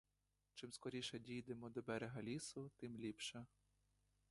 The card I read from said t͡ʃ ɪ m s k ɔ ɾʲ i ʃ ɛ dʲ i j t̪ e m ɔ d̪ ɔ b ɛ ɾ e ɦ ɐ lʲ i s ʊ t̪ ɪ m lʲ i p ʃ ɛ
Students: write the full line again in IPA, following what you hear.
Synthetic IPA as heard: t͡ʃ ɪ m s k ɔ ɾʲ i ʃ ɛ dʲ i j d̪ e m ɔ d̪ ɔ b ɛ ɾ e ɦ ɐ lʲ i s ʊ t̪ ɪ m lʲ i p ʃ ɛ